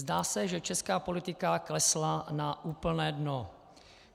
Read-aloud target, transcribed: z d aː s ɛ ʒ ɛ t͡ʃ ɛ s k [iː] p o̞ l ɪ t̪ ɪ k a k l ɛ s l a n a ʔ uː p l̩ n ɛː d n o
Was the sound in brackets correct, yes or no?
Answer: no